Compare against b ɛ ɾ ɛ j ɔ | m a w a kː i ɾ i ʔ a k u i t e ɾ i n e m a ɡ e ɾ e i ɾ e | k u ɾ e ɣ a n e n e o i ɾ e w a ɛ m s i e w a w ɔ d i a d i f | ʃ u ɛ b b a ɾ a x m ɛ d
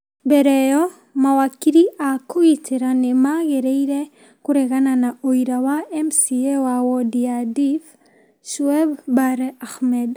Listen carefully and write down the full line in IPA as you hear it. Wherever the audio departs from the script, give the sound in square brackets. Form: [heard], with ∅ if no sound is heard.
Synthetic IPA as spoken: b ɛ ɾ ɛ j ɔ | m a w a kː i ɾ i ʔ a k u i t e ɾ [a] n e m a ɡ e ɾ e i ɾ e | k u ɾ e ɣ a n [a] n [a] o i ɾ [a] w a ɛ m s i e w a w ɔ d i a d i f | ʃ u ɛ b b a ɾ a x m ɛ d